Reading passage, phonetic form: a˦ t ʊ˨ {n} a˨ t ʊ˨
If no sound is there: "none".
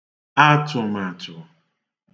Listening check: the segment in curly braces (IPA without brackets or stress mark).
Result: m